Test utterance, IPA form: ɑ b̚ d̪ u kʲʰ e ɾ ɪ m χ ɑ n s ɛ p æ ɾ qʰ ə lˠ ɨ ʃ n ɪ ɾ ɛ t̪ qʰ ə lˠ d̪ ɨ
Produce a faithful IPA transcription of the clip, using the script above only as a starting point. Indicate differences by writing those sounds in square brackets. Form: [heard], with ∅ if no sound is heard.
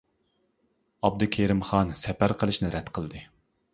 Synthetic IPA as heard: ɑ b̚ d̪ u kʲʰ e ɾ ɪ m χ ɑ n s ɛ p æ ɾ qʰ ə lˠ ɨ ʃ n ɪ ɾ ɛ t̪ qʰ ə lˠ d̪ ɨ